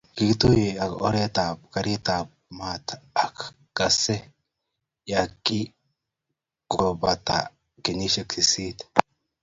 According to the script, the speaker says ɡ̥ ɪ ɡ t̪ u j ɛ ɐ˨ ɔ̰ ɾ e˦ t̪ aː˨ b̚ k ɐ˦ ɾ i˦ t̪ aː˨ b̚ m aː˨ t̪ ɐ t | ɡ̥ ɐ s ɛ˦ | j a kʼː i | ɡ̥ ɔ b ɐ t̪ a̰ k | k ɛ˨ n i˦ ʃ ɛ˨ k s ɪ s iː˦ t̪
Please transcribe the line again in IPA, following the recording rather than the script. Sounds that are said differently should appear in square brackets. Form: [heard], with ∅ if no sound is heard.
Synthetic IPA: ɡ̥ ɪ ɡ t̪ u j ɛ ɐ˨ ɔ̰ ɾ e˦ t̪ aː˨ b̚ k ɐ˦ ɾ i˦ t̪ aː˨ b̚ m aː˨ t̪ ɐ [k] | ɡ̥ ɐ s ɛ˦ | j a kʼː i | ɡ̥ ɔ b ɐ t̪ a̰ [∅] | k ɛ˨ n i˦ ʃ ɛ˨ k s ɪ s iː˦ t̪